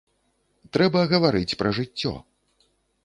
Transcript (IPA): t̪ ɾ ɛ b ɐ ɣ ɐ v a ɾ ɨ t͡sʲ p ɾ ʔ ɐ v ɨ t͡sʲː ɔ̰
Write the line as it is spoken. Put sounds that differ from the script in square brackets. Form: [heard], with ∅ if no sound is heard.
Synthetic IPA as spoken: t̪ ɾ ɛ b ɐ ɣ ɐ v a ɾ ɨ t͡sʲ p ɾ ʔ ɐ [ʐ] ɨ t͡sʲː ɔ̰

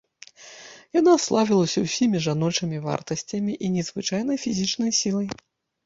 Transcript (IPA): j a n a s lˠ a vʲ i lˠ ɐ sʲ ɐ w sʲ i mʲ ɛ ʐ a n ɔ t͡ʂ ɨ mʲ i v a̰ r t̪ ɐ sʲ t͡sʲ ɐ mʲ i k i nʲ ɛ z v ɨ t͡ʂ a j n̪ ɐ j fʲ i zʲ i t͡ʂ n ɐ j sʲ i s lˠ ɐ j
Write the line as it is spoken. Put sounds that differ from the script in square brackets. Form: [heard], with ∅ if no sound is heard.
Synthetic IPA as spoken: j a n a s lˠ a vʲ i lˠ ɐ sʲ ɐ w sʲ i mʲ [i] ʐ a n ɔ t͡ʂ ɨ mʲ i v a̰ r t̪ ɐ sʲ t͡sʲ ɐ mʲ i [ʔ] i nʲ ɛ z v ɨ t͡ʂ a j n̪ ɐ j fʲ i zʲ i t͡ʂ n ɐ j sʲ i [∅] lˠ ɐ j

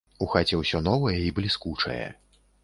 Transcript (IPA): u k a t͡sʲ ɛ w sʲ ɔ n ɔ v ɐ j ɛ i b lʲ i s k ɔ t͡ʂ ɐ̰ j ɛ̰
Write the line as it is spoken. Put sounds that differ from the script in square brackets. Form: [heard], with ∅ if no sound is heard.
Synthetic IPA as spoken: u [x] a t͡sʲ ɛ w sʲ ɔ n ɔ v ɐ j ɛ i b lʲ i s k [u] t͡ʂ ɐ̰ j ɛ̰

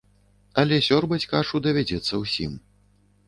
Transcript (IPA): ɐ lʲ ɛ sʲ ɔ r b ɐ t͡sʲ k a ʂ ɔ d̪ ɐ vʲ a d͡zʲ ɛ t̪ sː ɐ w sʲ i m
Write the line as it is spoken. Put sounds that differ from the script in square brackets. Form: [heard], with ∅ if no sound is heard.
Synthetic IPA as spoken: ɐ lʲ ɛ sʲ ɔ r b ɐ t͡sʲ k a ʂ [u] d̪ ɐ vʲ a d͡zʲ ɛ t̪ sː ɐ w sʲ i m

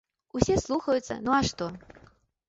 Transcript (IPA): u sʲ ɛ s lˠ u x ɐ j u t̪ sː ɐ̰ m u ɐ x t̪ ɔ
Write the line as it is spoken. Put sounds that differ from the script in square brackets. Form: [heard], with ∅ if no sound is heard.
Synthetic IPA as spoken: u sʲ ɛ s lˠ u x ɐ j u t̪ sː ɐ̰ [n] u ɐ [ʂ] t̪ ɔ

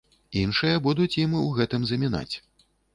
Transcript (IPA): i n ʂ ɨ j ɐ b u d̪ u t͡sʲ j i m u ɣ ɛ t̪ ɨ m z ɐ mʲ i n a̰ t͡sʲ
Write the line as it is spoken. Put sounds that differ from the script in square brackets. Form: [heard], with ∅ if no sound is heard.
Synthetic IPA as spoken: i n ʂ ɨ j ɐ b u d̪ u t͡sʲ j i m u ɣ ɛ t̪ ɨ m z ɐ mʲ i n a̰ t͡sʲ

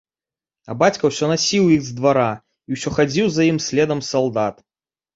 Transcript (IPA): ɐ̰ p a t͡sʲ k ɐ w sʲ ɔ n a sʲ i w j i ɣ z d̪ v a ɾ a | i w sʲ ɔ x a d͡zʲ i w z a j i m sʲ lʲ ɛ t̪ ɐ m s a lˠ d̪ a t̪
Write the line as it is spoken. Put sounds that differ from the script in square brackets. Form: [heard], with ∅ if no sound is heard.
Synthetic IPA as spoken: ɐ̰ [b] a t͡sʲ k ɐ w sʲ ɔ n a sʲ i w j i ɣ z d̪ v a ɾ a | i w sʲ ɔ x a d͡zʲ i w z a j i m sʲ lʲ ɛ [d̪] ɐ m s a lˠ d̪ a t̪

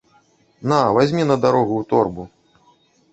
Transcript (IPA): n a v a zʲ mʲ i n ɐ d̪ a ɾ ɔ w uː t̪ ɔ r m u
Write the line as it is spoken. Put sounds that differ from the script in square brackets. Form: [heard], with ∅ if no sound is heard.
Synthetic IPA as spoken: n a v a zʲ mʲ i n ɐ d̪ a ɾ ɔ [ɣ] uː t̪ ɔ r [b] u

